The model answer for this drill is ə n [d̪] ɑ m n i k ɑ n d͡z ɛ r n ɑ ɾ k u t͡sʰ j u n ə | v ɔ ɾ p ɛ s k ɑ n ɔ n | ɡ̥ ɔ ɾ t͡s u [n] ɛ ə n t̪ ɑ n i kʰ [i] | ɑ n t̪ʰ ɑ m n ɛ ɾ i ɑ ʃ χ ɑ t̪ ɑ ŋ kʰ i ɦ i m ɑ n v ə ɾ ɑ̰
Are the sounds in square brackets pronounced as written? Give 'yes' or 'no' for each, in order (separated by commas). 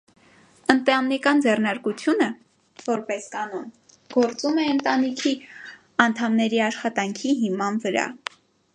no, no, yes